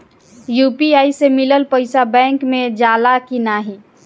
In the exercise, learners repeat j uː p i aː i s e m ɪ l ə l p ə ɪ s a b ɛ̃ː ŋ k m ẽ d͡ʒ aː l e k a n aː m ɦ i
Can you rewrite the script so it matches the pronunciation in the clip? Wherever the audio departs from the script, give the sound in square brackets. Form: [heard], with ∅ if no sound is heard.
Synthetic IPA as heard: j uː p i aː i s e m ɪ l ə l p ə ɪ s a b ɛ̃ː ŋ k m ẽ d͡ʒ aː l [a] k [i] n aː [∅] ɦ i